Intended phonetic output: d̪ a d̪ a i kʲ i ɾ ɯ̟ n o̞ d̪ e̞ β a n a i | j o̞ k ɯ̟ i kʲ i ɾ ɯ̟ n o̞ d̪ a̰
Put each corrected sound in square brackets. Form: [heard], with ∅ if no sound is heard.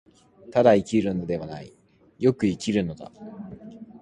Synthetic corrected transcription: [t̪] a d̪ a i kʲ i ɾ ɯ̟ n o̞ d̪ e̞ β a n a i | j o̞ k ɯ̟ i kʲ i ɾ ɯ̟ n o̞ d̪ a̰